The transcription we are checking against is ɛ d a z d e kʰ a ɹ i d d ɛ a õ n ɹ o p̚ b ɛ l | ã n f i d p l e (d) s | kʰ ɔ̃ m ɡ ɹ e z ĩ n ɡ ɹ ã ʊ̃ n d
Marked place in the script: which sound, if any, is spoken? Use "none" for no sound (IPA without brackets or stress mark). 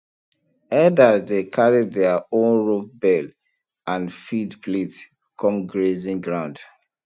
t